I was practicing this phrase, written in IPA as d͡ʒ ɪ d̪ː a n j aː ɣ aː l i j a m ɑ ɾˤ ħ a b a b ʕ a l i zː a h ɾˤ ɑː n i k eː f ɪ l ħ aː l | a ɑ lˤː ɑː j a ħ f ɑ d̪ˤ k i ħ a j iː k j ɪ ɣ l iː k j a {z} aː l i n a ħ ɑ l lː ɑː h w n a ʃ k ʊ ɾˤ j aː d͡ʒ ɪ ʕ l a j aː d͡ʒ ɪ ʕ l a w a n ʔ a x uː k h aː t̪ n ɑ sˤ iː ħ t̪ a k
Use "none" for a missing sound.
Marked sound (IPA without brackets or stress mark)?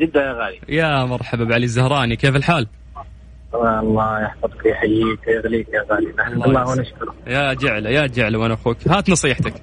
ɣ